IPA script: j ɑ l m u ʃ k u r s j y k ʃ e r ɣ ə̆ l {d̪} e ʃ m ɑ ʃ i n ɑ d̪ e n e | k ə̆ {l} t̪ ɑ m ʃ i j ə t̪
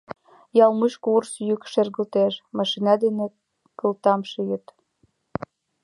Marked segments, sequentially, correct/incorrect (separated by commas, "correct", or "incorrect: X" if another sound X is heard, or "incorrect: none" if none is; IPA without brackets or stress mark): incorrect: t̪, correct